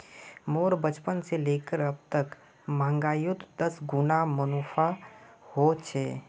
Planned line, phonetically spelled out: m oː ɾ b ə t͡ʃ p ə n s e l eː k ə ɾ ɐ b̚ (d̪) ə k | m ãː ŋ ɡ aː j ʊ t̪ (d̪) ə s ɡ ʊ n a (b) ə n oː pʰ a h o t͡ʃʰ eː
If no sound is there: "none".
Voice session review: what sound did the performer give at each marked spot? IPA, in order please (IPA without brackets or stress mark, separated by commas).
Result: t̪, d̪, m